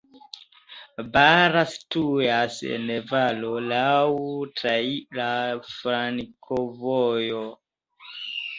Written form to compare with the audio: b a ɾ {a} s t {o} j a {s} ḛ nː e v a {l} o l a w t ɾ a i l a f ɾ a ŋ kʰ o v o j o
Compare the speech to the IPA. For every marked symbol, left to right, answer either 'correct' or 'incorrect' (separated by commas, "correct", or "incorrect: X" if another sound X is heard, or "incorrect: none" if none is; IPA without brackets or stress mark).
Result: correct, incorrect: u, correct, correct